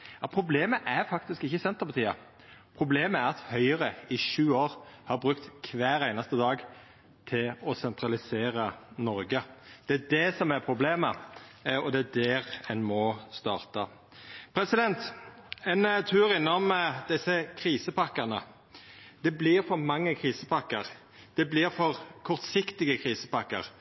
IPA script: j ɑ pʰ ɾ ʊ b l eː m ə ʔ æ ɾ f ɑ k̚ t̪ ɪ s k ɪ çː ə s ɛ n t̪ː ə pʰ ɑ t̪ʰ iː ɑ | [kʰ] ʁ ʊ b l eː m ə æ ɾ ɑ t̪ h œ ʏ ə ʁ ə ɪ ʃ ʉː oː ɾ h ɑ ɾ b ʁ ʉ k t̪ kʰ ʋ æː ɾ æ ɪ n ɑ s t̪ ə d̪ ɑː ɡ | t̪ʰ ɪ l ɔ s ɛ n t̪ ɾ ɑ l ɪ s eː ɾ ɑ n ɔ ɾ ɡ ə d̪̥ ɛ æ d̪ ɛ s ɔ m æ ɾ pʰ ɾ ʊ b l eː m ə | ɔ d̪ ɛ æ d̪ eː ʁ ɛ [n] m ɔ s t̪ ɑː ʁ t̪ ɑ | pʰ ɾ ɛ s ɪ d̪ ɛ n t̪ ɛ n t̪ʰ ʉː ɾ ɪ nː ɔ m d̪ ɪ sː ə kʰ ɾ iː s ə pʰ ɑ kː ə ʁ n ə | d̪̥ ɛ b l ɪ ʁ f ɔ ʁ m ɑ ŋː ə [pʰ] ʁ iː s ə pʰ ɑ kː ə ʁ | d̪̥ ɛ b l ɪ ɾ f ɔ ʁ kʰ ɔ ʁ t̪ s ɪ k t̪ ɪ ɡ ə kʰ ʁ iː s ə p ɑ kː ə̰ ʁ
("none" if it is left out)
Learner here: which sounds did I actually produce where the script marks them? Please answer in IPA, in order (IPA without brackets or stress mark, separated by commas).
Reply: pʰ, n, kʰ